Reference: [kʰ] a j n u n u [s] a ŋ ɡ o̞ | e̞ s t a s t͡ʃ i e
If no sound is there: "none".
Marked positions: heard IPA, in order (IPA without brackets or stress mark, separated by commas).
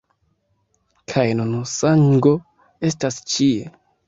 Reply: kʰ, s